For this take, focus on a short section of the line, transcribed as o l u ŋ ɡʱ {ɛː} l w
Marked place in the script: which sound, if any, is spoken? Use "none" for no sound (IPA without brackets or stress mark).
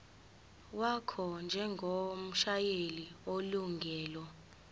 ɛː